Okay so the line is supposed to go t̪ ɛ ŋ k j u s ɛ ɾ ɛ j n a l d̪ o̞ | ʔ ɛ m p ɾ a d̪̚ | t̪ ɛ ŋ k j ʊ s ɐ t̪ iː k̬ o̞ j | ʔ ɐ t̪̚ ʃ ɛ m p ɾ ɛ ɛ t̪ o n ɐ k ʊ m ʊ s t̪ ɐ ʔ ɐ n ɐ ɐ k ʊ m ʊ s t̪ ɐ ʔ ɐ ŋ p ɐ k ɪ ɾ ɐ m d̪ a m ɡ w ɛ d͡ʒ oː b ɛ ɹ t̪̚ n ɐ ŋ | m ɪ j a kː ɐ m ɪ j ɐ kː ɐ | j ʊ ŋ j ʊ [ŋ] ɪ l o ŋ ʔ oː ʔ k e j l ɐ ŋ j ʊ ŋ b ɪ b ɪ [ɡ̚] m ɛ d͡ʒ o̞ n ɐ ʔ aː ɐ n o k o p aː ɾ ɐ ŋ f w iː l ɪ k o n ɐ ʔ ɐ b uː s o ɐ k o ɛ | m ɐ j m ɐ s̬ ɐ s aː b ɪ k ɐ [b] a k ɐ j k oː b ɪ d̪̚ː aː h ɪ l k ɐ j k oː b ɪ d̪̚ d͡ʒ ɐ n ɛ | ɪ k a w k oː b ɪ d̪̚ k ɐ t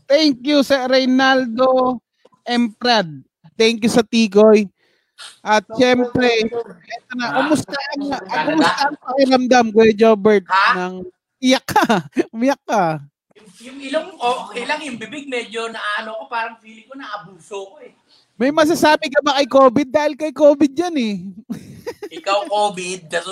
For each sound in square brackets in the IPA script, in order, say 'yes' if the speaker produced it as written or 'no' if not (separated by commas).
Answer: yes, yes, yes